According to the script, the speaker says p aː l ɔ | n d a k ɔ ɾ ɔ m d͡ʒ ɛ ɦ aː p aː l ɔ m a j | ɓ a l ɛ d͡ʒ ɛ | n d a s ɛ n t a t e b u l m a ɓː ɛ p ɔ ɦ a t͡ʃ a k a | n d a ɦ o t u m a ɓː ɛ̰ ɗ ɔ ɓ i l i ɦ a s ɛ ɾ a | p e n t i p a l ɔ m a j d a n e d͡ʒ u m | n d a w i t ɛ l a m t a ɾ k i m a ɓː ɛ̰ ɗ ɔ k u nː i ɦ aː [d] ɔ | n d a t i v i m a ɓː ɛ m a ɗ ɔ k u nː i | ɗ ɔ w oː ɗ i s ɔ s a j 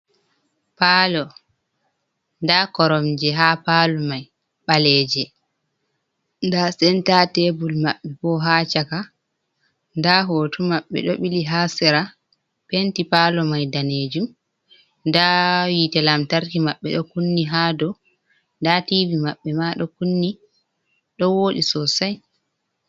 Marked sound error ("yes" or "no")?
no